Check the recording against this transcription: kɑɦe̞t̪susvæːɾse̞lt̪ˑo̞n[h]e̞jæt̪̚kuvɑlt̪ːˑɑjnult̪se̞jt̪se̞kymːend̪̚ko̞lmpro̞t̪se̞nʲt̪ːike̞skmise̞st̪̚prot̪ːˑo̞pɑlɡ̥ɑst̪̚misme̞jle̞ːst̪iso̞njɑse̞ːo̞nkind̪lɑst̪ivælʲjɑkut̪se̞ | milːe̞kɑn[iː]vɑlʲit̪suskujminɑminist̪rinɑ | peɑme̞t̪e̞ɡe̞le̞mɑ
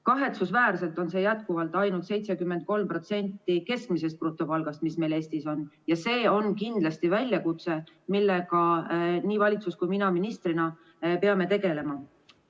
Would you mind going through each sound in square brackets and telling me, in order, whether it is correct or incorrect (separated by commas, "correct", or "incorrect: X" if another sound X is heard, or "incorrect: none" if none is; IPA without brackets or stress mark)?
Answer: incorrect: s, correct